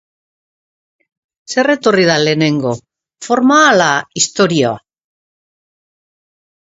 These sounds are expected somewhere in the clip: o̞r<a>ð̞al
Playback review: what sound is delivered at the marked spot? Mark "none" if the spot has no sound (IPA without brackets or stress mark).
i